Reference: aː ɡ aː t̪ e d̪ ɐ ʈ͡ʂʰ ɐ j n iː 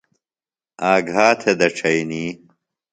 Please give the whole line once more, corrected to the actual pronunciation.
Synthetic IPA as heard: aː ɡ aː t̪ʰ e d̪ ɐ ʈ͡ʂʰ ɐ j n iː